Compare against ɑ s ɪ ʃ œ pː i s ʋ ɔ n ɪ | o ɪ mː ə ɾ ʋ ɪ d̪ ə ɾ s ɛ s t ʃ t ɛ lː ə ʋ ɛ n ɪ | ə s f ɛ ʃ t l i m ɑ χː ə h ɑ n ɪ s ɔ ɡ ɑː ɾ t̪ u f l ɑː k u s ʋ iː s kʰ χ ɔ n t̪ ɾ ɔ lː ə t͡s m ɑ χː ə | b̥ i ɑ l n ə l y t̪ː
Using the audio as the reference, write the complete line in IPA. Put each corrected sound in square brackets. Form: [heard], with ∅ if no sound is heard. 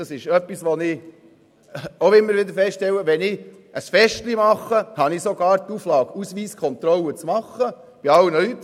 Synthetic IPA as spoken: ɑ s ɪ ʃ œ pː i s ʋ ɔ n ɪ | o ɪ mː ə ɾ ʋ ɪ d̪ ə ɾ [f] ɛ s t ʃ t ɛ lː ə ʋ ɛ n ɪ | ə s f ɛ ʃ t l i m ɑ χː ə h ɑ n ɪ s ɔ ɡ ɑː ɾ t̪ u f l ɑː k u s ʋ iː s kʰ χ ɔ n t̪ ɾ ɔ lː ə t͡s m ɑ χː ə | b̥ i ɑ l n ə l y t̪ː